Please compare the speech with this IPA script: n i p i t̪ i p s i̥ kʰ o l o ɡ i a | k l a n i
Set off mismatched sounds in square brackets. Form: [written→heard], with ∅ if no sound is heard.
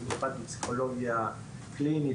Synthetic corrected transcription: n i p [i→a] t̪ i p s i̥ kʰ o l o ɡ i a | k l [a→i] n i